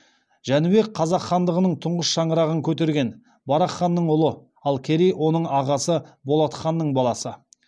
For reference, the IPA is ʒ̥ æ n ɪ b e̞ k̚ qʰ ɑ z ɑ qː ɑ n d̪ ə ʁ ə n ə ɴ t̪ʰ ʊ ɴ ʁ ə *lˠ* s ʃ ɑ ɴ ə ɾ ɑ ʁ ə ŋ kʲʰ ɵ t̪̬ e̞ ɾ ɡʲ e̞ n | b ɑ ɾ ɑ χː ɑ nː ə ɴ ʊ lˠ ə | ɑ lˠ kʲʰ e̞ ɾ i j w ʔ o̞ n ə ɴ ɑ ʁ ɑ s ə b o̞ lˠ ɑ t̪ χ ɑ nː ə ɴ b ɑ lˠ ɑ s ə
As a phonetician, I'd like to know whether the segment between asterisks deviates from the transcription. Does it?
yes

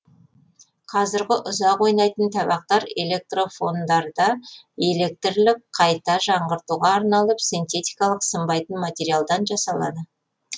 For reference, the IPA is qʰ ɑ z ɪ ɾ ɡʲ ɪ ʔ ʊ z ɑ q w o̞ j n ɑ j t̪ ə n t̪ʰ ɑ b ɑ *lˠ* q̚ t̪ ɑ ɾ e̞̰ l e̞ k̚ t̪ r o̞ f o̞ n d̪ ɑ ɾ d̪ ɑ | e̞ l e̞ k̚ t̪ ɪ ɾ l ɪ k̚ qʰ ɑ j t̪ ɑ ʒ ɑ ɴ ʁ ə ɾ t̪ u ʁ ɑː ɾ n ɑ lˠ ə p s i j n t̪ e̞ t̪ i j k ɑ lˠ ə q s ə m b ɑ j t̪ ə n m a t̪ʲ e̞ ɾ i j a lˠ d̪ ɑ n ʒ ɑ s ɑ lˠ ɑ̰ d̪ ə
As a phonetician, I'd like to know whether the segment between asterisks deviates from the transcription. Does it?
yes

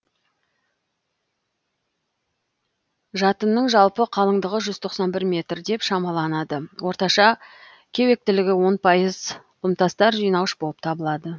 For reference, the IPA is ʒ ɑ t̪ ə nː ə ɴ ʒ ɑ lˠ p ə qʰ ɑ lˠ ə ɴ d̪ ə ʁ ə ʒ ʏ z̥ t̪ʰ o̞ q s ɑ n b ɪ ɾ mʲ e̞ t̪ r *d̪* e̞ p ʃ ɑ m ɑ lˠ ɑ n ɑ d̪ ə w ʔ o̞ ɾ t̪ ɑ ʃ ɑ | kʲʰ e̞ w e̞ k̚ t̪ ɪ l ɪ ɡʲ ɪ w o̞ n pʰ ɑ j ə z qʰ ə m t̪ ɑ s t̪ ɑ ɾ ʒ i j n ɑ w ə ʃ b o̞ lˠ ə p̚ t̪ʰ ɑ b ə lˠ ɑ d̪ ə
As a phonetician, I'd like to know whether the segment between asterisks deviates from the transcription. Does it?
no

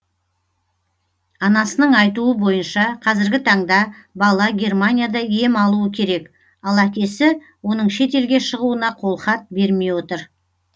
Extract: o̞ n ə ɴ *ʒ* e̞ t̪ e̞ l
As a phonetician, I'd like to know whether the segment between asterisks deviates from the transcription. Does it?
yes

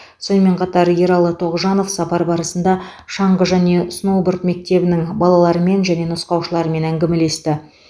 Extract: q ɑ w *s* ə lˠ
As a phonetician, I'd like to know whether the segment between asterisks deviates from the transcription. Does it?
yes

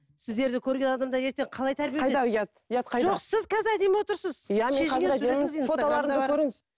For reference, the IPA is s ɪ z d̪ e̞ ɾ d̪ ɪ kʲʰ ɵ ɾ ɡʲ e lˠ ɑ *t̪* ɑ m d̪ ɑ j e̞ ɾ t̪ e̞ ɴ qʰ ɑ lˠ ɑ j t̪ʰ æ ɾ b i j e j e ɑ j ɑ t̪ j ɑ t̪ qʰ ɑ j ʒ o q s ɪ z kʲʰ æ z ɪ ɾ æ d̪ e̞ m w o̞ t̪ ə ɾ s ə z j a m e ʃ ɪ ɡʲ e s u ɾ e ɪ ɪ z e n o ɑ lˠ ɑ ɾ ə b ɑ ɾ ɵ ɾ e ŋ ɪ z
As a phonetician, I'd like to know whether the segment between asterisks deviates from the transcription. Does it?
yes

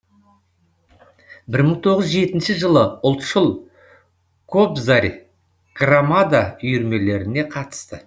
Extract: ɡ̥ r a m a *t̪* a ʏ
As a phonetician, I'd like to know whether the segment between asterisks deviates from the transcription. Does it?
yes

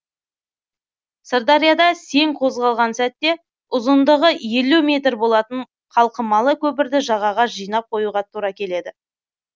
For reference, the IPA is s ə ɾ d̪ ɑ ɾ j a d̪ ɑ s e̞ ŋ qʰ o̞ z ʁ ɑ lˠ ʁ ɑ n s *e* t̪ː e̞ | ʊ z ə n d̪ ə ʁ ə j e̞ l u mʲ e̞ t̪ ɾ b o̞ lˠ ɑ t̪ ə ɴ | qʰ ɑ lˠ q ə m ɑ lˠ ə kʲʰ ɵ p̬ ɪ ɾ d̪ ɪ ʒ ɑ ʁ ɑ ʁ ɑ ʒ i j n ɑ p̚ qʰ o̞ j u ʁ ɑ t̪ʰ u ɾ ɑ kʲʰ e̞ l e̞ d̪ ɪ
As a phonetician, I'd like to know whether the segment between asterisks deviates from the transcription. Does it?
yes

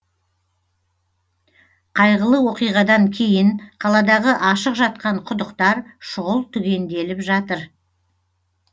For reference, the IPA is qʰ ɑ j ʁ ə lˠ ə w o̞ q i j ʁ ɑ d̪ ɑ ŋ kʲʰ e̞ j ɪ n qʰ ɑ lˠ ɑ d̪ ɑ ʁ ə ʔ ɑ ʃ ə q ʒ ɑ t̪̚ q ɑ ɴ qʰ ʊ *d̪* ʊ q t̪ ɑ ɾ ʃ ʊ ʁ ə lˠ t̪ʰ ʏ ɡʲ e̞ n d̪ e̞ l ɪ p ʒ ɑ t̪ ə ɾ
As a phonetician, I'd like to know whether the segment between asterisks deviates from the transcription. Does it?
no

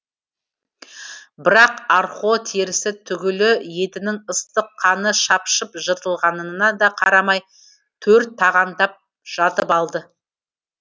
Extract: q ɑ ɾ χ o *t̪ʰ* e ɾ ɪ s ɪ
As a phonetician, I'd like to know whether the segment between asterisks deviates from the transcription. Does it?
no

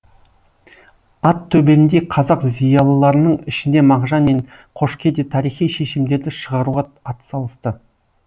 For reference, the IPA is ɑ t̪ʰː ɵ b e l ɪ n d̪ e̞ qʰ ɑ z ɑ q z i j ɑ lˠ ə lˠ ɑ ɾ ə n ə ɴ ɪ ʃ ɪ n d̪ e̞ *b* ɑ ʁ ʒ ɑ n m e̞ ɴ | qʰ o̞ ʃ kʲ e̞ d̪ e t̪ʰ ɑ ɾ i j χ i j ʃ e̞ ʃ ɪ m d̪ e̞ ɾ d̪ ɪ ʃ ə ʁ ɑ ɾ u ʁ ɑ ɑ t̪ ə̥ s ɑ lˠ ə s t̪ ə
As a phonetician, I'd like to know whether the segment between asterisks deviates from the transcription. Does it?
yes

